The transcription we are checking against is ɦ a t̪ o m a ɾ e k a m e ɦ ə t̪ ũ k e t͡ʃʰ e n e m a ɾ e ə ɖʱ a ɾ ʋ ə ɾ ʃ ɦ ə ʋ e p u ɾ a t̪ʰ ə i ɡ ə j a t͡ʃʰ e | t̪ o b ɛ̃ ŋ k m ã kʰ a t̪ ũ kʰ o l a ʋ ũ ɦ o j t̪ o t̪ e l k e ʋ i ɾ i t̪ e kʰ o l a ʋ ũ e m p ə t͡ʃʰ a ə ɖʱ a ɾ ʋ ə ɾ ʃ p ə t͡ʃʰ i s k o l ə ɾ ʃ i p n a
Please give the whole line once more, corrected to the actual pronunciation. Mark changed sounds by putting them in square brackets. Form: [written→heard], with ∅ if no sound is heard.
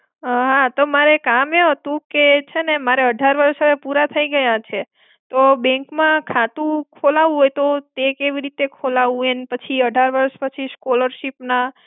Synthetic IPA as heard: ɦ a t̪ o m a ɾ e k a m e ɦ ə t̪ ũ k e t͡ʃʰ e n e m a ɾ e ə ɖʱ a ɾ ʋ ə ɾ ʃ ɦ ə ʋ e p u ɾ a t̪ʰ ə i ɡ ə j a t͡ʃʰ e | t̪ o b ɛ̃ ŋ k m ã kʰ a t̪ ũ kʰ o l a ʋ ũ ɦ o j t̪ o t̪ e [l→∅] k e ʋ i ɾ i t̪ e kʰ o l a ʋ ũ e [m→n] p ə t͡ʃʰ [a→i] ə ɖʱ a ɾ ʋ ə ɾ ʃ p ə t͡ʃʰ i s k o l ə ɾ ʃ i p n a